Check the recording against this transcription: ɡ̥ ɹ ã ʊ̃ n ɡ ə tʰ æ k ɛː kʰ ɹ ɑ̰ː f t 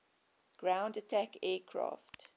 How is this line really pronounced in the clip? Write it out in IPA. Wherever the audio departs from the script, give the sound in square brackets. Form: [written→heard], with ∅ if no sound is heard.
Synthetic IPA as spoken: ɡ̥ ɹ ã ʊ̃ n [ɡ→d] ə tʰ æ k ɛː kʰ ɹ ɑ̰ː f t